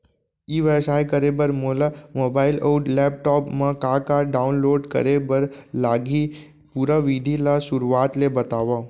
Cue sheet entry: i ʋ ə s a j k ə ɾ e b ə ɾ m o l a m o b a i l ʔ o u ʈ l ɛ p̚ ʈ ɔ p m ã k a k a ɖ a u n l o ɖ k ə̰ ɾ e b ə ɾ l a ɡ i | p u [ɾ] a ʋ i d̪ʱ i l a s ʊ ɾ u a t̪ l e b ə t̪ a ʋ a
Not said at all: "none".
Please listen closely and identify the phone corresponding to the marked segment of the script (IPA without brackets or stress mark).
ɾ